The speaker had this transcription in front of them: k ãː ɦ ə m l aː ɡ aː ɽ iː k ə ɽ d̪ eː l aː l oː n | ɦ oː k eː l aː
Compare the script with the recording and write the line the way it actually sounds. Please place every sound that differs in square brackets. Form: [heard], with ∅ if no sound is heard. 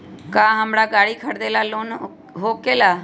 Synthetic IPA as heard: k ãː ɦ ə m [ɽ] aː ɡ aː ɽ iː [kʰ] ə ɽ d̪ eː l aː l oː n | ɦ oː k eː l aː